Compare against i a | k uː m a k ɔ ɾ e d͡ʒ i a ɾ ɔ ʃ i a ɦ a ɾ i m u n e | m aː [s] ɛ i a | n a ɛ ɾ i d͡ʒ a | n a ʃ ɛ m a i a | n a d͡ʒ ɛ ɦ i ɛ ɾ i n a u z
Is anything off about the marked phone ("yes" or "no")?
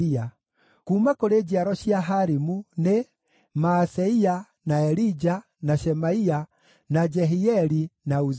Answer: no